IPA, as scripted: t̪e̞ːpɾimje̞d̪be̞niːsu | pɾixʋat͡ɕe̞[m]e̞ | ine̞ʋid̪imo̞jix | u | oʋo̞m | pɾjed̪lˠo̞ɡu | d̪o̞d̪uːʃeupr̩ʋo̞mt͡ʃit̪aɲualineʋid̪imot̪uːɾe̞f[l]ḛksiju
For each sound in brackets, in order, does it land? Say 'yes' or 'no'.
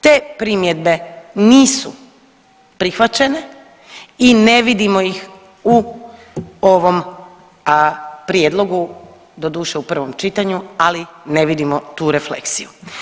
no, yes

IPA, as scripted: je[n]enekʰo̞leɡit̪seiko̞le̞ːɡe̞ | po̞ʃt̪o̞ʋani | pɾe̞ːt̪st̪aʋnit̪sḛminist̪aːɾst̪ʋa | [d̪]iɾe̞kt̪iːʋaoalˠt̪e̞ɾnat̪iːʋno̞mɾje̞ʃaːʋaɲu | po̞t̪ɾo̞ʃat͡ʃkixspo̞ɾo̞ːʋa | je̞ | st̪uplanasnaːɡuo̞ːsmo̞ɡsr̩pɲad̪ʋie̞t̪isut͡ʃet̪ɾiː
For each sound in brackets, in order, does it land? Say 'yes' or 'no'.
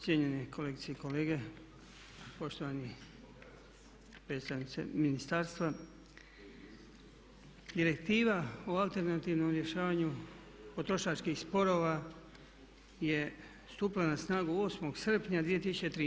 no, yes

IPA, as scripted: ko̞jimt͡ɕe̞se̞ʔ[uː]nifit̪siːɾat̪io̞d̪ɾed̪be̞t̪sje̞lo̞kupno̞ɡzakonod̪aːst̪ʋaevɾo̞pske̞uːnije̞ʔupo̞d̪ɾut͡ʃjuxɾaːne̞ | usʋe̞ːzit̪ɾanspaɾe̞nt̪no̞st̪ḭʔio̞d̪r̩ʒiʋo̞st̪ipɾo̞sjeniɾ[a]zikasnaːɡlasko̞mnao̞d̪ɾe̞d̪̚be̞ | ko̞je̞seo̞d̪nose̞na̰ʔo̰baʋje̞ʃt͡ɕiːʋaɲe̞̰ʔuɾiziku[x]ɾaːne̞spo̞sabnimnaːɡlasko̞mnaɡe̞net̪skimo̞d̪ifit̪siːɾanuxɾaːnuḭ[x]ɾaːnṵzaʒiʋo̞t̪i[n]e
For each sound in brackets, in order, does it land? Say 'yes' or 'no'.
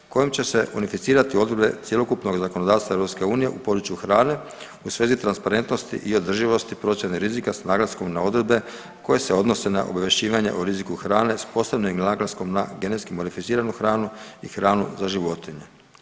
no, no, yes, yes, no

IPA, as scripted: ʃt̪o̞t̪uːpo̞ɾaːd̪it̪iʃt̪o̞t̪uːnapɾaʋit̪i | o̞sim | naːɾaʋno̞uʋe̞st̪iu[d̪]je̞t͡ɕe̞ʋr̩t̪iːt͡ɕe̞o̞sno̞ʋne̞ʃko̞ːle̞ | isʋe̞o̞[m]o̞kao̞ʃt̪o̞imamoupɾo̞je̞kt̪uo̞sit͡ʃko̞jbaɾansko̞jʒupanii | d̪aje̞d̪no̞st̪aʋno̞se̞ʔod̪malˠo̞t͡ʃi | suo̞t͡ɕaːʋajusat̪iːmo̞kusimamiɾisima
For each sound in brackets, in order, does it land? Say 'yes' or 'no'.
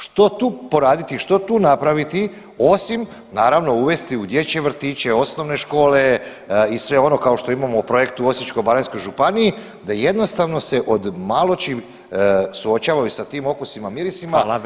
yes, no

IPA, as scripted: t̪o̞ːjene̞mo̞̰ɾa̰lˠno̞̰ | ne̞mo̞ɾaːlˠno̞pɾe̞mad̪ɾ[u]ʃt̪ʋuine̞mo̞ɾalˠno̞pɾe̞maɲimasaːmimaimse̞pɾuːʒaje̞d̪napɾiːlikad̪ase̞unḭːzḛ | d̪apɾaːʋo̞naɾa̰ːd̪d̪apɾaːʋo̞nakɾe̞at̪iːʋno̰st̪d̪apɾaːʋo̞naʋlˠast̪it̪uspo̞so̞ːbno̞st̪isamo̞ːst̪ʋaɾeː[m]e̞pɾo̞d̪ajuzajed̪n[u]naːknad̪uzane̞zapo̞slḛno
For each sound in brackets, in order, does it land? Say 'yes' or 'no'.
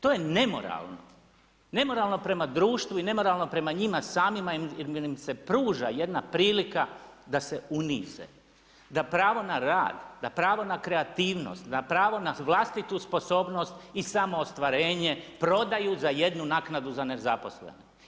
no, no, yes

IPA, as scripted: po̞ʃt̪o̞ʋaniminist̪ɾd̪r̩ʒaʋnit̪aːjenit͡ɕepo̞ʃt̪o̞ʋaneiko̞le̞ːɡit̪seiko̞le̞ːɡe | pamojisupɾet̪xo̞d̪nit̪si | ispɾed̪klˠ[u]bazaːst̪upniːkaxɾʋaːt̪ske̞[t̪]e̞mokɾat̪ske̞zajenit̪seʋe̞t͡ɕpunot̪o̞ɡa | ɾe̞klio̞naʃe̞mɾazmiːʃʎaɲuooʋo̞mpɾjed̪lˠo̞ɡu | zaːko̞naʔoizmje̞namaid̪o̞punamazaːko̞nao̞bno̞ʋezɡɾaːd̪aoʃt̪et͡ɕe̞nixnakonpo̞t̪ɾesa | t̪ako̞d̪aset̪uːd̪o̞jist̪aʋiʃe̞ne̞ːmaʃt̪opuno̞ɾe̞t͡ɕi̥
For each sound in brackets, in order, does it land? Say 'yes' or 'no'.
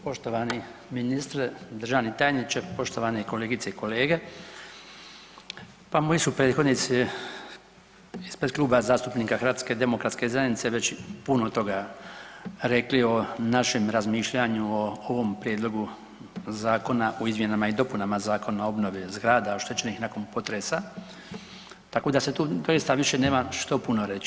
no, no

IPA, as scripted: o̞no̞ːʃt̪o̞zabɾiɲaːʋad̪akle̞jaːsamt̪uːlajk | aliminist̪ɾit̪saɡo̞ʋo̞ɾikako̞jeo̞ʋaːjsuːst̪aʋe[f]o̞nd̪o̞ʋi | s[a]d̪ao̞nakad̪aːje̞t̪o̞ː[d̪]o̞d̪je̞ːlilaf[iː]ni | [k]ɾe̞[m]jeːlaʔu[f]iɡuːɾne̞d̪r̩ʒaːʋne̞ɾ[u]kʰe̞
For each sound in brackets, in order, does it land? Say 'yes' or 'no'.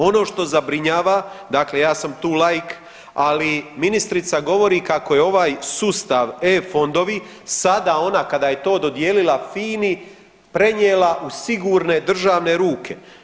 yes, yes, yes, yes, no, no, no, no

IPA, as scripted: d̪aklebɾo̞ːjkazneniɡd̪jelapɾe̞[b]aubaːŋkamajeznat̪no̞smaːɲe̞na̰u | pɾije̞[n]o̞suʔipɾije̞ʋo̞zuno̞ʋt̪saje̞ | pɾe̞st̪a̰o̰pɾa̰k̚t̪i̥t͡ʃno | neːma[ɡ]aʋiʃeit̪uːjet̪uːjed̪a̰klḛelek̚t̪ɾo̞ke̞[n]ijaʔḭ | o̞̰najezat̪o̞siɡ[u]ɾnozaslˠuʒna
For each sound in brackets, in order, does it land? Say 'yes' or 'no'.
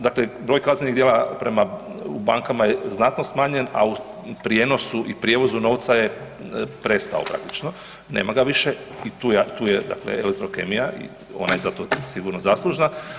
no, yes, yes, no, yes

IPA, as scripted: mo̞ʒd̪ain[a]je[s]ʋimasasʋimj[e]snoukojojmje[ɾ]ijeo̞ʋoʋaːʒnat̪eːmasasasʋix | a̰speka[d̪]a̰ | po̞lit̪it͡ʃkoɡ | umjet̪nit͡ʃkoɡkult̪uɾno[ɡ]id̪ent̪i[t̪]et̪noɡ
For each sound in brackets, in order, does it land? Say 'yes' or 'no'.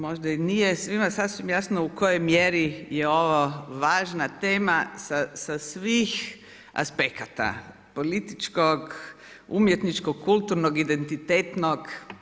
no, yes, no, yes, no, yes, yes

